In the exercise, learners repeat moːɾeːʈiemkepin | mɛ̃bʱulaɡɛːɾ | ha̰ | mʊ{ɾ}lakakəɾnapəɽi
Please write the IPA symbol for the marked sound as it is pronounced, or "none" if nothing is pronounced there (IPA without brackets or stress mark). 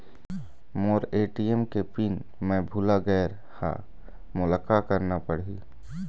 none